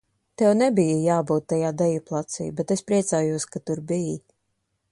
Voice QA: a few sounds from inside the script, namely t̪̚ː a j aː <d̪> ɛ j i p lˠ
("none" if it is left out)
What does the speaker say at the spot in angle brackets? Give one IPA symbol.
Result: d̪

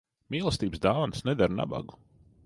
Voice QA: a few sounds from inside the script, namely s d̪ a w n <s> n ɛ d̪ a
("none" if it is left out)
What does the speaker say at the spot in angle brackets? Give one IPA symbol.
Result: s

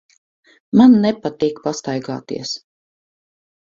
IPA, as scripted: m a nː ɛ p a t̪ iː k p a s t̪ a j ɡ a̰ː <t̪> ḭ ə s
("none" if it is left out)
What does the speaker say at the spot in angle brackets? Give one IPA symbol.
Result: t̪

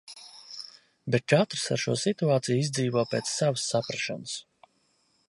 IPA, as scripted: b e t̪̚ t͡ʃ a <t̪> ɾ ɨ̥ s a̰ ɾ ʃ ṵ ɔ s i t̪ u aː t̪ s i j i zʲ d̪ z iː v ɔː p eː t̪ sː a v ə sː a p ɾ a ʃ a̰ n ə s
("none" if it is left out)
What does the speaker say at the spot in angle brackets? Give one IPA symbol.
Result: t̪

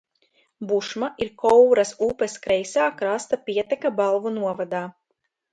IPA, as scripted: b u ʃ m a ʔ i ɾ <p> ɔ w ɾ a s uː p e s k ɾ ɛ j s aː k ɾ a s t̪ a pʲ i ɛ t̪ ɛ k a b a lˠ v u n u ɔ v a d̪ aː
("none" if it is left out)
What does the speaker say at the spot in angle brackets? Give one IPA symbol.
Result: k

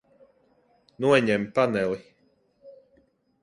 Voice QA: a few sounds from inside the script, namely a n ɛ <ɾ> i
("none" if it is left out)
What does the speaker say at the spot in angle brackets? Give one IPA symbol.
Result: l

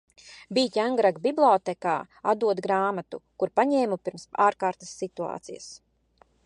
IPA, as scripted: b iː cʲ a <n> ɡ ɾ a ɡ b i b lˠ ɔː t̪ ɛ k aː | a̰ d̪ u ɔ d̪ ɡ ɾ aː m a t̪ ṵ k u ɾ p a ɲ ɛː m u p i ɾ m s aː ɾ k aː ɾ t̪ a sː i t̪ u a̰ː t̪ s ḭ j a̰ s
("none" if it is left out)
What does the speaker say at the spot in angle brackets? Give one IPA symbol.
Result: ŋ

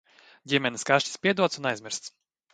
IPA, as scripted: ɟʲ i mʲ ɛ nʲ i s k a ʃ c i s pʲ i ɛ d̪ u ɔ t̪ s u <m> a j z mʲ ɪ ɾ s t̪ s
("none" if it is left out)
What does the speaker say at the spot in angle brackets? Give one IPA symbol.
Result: n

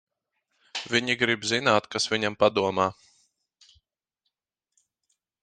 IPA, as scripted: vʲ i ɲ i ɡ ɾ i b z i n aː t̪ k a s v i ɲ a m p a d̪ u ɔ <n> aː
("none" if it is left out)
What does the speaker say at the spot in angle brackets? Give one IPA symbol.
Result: m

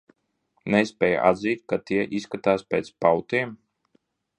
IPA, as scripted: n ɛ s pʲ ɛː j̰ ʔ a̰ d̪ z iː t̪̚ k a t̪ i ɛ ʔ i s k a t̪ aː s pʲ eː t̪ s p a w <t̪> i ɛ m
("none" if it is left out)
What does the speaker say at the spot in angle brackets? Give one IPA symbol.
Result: t̪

